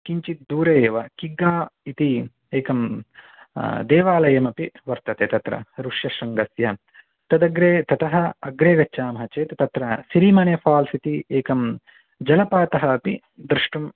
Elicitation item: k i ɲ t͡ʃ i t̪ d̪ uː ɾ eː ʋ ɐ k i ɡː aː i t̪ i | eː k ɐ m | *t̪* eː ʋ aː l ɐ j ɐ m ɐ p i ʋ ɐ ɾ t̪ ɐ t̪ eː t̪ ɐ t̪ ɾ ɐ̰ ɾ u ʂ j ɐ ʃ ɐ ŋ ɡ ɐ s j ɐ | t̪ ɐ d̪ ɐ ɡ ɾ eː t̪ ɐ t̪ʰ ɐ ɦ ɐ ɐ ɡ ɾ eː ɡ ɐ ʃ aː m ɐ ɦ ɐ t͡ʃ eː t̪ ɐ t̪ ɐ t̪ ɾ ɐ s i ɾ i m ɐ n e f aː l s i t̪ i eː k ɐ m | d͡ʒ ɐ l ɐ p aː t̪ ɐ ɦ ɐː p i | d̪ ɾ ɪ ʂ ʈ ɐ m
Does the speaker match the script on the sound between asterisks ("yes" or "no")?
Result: no